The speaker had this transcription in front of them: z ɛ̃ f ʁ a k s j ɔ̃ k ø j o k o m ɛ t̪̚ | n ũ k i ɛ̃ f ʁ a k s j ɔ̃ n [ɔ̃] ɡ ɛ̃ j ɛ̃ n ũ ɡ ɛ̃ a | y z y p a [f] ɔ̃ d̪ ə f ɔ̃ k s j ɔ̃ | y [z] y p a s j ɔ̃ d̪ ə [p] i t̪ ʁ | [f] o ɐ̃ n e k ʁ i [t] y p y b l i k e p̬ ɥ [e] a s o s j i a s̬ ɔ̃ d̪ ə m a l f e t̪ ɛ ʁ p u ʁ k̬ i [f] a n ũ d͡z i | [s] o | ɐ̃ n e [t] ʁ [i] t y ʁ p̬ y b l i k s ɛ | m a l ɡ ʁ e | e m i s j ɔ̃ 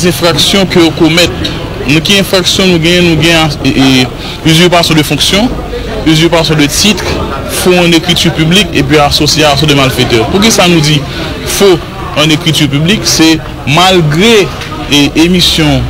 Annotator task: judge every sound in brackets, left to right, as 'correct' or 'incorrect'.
incorrect, incorrect, correct, incorrect, correct, correct, incorrect, incorrect, incorrect, incorrect, correct

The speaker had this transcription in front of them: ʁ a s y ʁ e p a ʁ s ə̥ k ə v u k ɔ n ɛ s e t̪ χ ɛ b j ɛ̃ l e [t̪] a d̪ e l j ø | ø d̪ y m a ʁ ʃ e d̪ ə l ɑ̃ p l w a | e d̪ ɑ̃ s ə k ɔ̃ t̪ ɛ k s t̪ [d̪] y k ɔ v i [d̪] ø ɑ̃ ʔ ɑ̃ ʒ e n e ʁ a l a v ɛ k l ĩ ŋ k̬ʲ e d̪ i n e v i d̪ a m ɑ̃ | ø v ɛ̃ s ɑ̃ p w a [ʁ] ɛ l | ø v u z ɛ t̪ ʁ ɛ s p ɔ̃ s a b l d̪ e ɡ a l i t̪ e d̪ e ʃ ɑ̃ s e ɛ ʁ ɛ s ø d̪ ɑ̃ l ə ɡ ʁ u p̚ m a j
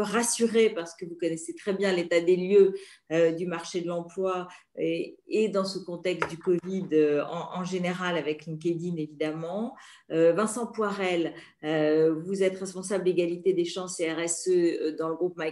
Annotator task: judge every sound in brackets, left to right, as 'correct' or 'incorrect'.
correct, correct, correct, correct

